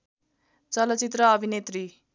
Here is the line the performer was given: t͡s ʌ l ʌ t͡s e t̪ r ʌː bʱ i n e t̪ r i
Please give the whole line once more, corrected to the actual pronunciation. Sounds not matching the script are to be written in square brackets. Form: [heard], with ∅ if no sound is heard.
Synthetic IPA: t͡s ʌ l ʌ t͡s [i] t̪ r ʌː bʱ i n e t̪ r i